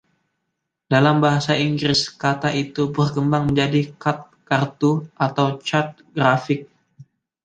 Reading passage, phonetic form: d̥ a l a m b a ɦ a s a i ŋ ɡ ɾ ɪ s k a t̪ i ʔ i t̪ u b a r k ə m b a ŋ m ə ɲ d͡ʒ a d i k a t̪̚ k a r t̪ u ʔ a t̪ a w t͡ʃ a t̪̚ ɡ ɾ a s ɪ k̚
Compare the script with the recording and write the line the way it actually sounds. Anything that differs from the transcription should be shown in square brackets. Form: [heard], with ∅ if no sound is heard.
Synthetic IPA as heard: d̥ a l a m b a ɦ a s a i ŋ ɡ ɾ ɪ s k a t̪ [a] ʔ i t̪ u b [ə] r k ə m b a ŋ m ə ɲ d͡ʒ a d i k a t̪̚ k a r t̪ u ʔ a t̪ a w t͡ʃ a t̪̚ ɡ ɾ a [f] ɪ k̚